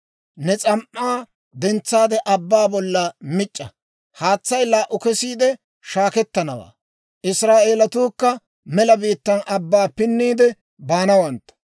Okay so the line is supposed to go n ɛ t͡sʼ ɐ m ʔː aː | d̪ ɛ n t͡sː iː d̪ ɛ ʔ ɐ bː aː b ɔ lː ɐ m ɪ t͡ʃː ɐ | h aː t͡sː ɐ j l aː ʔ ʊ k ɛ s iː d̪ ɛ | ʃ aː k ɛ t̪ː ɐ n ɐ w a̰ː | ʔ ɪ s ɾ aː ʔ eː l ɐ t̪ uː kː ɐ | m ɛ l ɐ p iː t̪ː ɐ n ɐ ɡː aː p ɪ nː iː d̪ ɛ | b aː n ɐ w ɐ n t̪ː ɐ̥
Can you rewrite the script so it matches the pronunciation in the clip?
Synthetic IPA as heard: n ɛ t͡sʼ ɐ m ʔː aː | d̪ ɛ n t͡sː aː d̪ ɛ ʔ ɐ bː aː b ɔ lː ɐ m ɪ t͡ʃʼː ɐ | h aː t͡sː ɐ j l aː ʔ ʊ k ɛ s iː d̪ ɛ | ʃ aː k ɛ t̪ː ɐ n ɐ w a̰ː | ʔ ɪ s ɾ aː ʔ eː l ɐ t̪ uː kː ɐ | m ɛ l ɐ b iː t̪ː ɐ n ɐ bː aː p ɪ nː iː d̪ ɛ | b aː n ɐ w ɐ n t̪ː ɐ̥